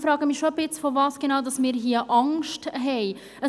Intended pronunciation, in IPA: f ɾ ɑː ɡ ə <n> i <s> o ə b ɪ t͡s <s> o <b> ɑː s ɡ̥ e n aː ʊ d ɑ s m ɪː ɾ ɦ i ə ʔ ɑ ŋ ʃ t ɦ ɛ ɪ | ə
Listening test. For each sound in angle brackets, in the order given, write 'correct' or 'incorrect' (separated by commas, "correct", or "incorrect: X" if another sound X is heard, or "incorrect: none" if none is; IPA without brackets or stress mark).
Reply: incorrect: m, incorrect: ʃ, incorrect: f, incorrect: v